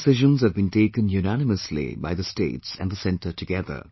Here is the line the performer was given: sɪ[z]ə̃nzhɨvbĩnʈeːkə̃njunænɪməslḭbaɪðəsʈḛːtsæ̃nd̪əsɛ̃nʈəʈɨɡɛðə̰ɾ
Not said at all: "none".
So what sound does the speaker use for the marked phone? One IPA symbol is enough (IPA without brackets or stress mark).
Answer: ʒ